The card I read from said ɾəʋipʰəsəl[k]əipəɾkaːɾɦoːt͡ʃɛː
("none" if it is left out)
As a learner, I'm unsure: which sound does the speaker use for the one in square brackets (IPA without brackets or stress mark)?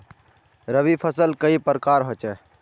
k